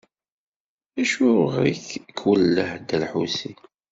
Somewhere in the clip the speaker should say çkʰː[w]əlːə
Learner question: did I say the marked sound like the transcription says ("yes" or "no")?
yes